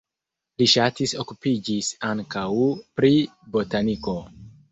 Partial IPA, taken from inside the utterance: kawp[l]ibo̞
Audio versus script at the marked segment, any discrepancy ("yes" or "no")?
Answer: yes